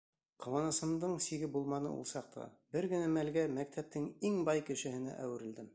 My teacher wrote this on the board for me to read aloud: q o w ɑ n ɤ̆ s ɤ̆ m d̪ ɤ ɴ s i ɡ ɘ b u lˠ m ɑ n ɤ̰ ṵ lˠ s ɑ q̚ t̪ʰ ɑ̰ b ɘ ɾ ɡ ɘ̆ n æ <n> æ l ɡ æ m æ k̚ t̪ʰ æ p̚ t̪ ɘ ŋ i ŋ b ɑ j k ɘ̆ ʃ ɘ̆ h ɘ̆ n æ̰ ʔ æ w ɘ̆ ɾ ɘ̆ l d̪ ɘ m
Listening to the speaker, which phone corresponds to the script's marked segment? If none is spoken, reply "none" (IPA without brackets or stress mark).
m